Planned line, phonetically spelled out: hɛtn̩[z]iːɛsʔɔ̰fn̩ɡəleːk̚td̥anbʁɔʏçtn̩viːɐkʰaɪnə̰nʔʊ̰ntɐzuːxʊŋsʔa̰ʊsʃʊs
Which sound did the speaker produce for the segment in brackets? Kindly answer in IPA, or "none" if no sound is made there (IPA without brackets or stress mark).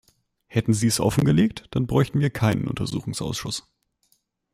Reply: z